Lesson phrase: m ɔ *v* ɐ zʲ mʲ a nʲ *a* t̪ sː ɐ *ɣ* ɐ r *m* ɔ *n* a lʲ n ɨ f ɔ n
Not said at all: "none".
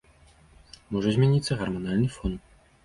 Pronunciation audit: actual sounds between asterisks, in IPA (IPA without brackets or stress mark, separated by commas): ʐ, i, ɣ, m, n